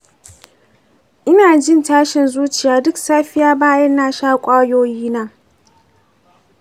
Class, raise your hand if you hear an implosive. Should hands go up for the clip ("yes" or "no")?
no